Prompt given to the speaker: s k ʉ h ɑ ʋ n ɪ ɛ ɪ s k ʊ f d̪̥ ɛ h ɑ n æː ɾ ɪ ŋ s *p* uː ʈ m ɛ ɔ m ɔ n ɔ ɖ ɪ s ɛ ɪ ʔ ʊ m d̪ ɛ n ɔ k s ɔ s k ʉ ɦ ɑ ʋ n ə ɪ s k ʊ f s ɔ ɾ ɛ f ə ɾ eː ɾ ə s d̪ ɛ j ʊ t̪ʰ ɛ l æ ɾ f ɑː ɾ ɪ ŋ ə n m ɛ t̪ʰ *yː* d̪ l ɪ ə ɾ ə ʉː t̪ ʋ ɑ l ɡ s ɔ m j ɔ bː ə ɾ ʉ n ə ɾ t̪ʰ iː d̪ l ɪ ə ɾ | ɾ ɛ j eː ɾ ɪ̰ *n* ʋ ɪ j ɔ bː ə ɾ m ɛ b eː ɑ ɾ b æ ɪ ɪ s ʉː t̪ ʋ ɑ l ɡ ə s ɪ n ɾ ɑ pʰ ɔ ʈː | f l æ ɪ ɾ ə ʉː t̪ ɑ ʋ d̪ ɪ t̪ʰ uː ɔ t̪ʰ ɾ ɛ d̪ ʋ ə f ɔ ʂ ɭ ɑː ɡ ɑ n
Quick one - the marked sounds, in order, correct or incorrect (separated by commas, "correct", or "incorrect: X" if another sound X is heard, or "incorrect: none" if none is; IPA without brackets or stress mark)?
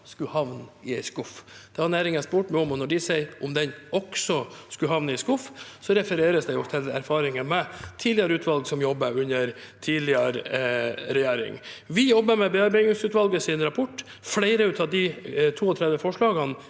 correct, incorrect: iː, incorrect: ŋ